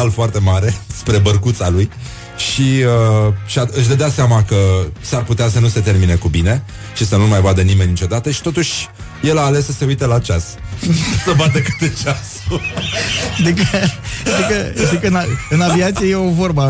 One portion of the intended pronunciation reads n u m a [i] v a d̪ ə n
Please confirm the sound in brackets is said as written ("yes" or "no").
no